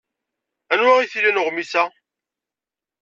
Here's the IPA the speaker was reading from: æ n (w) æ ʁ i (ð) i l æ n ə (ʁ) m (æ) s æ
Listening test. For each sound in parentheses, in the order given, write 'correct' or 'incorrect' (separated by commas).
correct, incorrect, correct, incorrect